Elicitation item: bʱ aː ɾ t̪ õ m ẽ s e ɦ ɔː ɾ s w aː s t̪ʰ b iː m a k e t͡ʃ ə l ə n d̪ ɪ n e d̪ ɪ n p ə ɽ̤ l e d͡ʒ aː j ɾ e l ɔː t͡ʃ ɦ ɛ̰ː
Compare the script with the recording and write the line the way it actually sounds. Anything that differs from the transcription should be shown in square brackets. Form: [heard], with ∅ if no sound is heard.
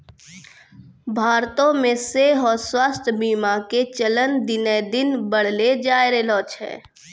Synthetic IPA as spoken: bʱ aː ɾ t̪ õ m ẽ s e ɦ ɔː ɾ s w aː s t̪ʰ b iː m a k e t͡ʃ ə l ə n d̪ ɪ n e d̪ ɪ n [b] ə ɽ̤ l e d͡ʒ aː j ɾ e l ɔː t͡ʃ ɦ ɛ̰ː